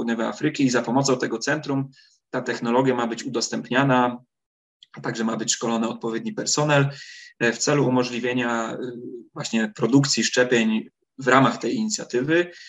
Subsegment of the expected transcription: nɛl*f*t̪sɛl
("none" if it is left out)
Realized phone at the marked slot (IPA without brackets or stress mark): f